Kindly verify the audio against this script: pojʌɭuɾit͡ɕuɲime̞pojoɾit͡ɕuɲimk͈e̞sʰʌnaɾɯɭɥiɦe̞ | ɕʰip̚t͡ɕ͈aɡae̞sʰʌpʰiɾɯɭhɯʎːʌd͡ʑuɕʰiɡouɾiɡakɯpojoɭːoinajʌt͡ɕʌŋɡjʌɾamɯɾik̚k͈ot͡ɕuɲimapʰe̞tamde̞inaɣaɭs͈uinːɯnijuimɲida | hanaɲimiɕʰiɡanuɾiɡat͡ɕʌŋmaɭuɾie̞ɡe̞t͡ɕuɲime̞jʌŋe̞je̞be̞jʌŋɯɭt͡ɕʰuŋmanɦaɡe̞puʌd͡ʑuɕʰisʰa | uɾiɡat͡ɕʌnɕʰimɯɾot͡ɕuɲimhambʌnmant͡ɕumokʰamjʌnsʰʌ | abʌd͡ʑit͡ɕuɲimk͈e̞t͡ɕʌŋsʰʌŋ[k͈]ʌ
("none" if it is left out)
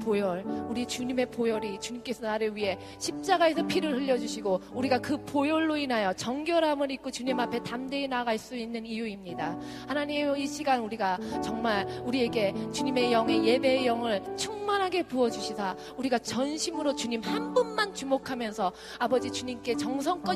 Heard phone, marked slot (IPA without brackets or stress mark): k͈